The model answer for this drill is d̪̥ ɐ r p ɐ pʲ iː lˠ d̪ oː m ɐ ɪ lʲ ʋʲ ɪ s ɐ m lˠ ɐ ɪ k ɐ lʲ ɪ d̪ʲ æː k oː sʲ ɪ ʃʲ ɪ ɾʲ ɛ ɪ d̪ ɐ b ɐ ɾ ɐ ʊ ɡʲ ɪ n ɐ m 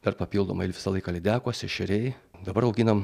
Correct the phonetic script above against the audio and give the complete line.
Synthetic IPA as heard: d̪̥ ɐ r p ɐ pʲ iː lˠ d̪ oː m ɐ ɪ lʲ ʋʲ ɪ s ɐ lˠ ɐ ɪ k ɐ lʲ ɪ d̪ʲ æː k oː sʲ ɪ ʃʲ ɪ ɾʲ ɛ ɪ d̪ ɐ b ɐ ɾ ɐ ʊ ɡʲ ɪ n ɐ m

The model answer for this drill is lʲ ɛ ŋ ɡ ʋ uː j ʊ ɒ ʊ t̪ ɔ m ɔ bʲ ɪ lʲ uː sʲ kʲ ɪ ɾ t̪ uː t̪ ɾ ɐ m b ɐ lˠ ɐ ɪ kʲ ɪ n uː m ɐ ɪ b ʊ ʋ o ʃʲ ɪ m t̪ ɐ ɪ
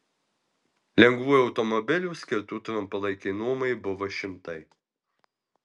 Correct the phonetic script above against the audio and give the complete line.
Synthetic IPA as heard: lʲ ɛ ŋ ɡ ʋ uː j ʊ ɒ ʊ t̪ ɔ m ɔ bʲ ɪ lʲ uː sʲ kʲ ɪ ɾ t̪ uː t̪ ɾ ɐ m p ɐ lˠ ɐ ɪ kʲ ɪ n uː m ɐ ɪ b ʊ ʋ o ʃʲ ɪ m t̪ ɐ ɪ

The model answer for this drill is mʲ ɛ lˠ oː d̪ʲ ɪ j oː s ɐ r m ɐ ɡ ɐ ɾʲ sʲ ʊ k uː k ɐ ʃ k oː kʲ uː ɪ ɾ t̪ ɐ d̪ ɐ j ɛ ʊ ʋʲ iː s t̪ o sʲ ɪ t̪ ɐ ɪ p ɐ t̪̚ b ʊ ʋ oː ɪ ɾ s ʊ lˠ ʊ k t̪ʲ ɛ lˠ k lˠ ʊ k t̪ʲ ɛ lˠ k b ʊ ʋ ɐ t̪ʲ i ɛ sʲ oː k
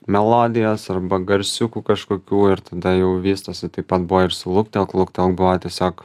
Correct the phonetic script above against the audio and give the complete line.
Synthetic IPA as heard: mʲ ɛ lˠ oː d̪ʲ ɪ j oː s ɐ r b ɐ ɡ ɐ ɾʲ sʲ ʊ k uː k ɐ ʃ k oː kʲ uː ɪ ɾ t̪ ɐ d̪ ɐ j ɛ ʊ ʋʲ iː s t̪ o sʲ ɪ t̪ ɐ ɪ p ɐ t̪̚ b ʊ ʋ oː ɪ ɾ s ʊ lˠ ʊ k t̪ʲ ɛ lˠ k lˠ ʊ k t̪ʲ ɛ lˠ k b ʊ ʋ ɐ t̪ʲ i ɛ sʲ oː k

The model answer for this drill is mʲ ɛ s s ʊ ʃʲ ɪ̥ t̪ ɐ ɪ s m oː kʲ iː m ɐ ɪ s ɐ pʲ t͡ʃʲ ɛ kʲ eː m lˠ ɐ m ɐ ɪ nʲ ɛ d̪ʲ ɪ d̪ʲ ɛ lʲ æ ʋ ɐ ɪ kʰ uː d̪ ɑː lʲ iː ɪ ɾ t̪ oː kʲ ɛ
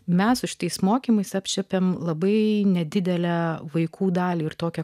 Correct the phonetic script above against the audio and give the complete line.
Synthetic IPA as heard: mʲ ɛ s s ʊ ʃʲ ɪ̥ t̪ ɐ ɪ s m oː kʲ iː m ɐ ɪ s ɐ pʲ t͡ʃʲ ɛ pʲ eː m lˠ ɐ b ɐ ɪ nʲ ɛ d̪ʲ ɪ d̪ʲ ɛ lʲ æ ʋ ɐ ɪ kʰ uː d̪ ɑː lʲ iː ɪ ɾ t̪ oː kʲ ɛ

